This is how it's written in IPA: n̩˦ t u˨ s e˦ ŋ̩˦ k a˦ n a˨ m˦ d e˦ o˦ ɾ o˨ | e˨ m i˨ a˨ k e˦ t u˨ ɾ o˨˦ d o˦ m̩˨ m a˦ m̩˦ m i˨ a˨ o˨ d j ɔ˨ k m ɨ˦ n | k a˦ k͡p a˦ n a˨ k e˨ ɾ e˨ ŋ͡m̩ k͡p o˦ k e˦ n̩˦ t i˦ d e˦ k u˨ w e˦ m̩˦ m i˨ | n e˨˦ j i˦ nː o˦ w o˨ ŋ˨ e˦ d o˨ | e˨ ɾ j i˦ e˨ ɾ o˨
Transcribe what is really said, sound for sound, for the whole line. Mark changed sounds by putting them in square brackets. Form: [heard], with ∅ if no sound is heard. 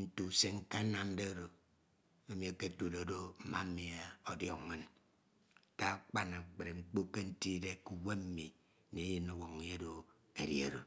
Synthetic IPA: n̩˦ t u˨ s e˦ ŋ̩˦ k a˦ n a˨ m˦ d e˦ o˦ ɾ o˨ | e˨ m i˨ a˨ k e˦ t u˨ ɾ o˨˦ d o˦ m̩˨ m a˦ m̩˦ m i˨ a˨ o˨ d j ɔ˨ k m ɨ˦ n | k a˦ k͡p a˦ n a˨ [k͡p] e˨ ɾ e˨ ŋ͡m̩ k͡p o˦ k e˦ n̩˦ t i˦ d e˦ k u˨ w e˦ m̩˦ m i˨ | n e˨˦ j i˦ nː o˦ w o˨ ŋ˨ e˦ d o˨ | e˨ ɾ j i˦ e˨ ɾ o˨